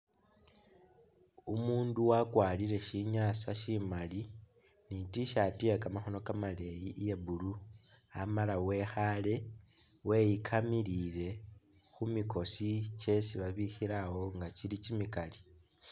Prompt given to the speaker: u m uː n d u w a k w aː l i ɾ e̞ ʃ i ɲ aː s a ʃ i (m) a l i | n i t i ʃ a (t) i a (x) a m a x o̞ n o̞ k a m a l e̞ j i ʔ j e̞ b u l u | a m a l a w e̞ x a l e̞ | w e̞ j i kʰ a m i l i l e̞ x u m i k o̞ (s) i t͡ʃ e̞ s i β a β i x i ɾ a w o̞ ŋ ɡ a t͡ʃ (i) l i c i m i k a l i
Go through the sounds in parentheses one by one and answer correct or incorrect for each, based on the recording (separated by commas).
correct, correct, incorrect, correct, correct